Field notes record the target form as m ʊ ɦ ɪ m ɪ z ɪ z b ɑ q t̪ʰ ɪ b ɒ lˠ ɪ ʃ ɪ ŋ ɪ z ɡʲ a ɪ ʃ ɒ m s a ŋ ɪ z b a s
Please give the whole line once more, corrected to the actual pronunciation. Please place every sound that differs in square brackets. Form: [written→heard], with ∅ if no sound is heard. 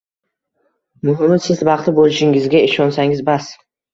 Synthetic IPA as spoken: m ʊ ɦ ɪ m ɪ [z→s] ɪ z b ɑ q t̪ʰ ɪ b [ɒ→o] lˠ ɪ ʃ ɪ ŋ ɪ z ɡʲ a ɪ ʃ ɒ [m→n] s a ŋ ɪ z b a s